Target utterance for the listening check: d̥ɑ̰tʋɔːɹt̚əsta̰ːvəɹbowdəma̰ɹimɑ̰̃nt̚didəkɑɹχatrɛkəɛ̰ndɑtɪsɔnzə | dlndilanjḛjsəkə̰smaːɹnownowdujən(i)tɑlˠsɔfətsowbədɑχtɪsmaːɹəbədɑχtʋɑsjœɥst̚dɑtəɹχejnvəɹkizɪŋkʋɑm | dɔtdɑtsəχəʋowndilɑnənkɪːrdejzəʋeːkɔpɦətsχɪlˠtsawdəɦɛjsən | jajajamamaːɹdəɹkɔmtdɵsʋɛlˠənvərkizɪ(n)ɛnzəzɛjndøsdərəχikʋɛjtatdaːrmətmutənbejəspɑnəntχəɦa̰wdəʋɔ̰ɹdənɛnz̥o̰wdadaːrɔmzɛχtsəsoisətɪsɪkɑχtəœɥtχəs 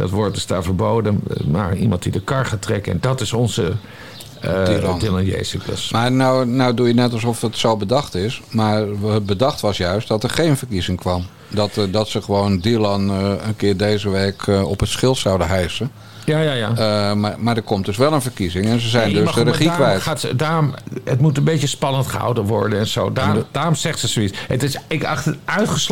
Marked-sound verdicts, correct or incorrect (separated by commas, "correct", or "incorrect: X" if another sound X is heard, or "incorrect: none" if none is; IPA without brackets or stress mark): incorrect: ɛ, incorrect: ŋ